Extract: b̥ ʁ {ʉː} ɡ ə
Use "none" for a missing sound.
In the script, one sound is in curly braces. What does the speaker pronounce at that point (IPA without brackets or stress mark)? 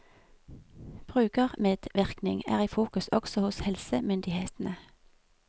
ʉː